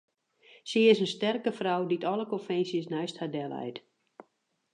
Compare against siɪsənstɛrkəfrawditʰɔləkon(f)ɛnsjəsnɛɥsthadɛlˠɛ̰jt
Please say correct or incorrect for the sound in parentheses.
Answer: correct